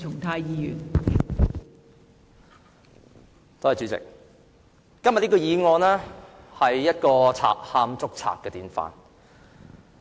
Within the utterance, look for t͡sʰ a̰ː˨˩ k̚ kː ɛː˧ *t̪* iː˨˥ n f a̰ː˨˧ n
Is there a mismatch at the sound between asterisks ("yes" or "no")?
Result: no